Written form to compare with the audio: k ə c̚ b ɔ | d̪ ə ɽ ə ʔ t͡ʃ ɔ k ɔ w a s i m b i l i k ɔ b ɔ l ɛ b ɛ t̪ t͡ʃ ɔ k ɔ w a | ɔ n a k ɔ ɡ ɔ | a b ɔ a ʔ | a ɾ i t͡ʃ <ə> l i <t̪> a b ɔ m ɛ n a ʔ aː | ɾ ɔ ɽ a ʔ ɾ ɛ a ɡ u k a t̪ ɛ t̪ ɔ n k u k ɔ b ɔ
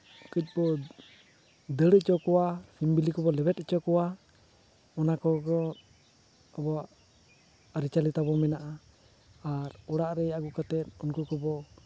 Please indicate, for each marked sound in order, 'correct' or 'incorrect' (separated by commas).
incorrect, correct